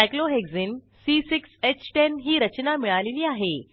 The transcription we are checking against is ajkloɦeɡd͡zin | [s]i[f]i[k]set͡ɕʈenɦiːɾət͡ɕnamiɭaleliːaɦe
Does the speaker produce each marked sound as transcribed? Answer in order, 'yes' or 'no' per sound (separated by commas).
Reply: yes, no, yes